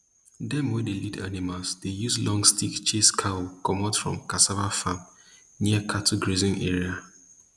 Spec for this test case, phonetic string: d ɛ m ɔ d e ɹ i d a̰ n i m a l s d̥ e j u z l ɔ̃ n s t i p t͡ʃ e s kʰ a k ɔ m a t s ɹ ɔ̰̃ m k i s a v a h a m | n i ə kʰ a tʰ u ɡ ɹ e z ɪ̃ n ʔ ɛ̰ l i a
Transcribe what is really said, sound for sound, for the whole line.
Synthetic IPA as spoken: d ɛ m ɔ d e l i d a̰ n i m a l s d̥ e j u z l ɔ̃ ŋ s t i k t͡ʃ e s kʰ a k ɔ m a t f ɹ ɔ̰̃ m k a s a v a f a m | n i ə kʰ a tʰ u ɡ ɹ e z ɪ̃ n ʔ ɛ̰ ɹ i a